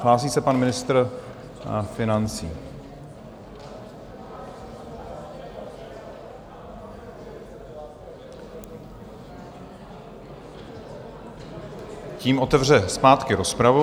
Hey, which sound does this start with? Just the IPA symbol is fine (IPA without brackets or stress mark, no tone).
l